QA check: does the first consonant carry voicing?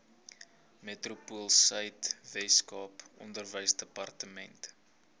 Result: yes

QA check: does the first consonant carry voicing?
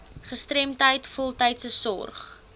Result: no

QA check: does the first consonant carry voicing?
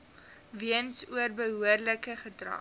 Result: yes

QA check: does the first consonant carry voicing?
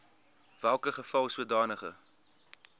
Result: yes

